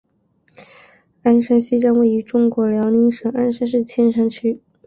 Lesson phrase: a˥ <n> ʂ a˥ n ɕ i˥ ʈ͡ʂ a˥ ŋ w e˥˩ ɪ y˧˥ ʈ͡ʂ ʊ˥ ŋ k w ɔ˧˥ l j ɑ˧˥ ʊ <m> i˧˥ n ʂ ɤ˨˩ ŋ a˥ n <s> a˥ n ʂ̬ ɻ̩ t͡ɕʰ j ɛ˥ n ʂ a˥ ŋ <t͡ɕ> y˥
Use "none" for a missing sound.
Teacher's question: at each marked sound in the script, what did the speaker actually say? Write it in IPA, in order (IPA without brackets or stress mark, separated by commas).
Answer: n, n, ʂ, t͡ɕʰ